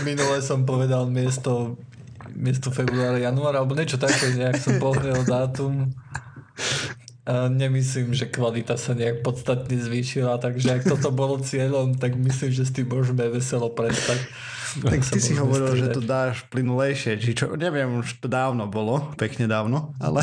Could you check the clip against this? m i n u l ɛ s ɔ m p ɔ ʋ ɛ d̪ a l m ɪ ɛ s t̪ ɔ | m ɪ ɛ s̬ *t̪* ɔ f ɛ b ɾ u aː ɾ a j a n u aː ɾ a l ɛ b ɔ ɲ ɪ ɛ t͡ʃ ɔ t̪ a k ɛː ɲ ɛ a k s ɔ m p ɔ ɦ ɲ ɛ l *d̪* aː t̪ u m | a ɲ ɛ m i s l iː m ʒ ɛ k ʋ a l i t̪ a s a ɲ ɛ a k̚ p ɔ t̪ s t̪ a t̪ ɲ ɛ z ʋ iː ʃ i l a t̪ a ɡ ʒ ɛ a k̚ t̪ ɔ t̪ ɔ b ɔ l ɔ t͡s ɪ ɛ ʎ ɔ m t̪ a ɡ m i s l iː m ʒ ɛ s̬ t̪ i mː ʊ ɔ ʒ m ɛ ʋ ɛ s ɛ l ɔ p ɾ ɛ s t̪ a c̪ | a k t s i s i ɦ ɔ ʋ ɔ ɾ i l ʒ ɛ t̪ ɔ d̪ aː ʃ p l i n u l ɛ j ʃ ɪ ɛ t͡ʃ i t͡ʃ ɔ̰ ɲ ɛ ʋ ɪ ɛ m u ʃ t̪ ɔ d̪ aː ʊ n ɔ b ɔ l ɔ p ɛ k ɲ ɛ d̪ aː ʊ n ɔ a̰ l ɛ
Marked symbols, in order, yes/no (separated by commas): yes, yes